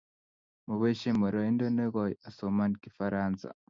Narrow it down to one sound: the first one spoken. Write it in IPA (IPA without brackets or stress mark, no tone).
m